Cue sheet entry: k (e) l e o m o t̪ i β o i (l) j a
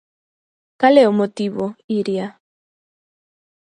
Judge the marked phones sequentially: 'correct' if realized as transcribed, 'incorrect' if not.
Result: incorrect: a, incorrect: ɾ

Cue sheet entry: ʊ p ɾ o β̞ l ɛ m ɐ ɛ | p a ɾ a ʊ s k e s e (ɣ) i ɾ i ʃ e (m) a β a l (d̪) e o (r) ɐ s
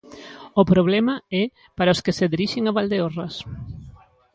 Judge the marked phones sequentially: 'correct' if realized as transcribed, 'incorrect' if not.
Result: incorrect: ð, incorrect: ŋ, correct, correct

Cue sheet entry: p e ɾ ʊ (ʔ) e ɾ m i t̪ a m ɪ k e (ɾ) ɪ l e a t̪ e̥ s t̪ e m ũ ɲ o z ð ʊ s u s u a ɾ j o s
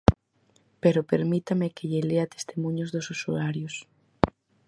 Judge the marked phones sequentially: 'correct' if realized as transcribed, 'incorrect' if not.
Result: incorrect: p, incorrect: ʎ

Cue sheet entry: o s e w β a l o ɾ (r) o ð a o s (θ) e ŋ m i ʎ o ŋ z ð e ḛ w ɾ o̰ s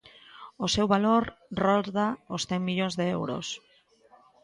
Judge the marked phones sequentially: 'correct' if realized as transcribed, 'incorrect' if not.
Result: correct, correct

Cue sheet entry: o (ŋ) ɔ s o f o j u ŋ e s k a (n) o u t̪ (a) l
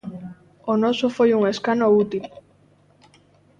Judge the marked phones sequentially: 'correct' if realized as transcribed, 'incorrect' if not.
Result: incorrect: n, correct, incorrect: i

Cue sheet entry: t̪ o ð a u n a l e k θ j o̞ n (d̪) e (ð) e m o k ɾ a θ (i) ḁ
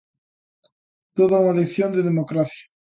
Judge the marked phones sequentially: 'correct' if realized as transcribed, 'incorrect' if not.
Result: correct, correct, incorrect: j

